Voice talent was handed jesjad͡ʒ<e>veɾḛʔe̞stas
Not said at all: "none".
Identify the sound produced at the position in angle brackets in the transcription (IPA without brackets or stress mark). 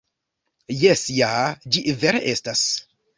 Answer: i